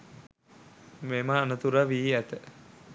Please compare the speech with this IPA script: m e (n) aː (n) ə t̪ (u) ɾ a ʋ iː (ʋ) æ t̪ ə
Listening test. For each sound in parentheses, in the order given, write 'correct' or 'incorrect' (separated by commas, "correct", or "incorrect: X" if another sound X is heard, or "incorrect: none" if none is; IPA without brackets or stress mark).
incorrect: m, correct, correct, incorrect: none